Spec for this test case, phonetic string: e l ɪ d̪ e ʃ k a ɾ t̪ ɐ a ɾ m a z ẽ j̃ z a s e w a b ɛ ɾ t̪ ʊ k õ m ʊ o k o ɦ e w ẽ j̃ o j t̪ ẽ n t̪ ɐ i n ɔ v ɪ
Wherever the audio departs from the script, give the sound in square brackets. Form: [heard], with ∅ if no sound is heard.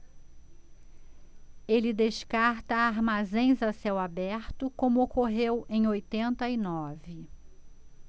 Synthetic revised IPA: e l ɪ d̪ e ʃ k a ɾ t̪ ɐ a ɾ m a z ẽ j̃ z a s [ɛ] w a b ɛ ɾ t̪ ʊ k õ m ʊ o k o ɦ e w ẽ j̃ o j t̪ ẽ n t̪ ɐ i n ɔ v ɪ